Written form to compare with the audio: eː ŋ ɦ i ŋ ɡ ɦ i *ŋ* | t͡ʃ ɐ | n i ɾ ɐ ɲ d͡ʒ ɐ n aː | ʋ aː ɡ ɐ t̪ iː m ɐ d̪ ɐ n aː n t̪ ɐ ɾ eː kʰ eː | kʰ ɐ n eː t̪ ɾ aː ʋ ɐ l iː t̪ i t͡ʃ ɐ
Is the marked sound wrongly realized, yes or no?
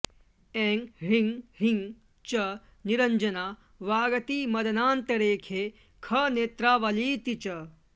no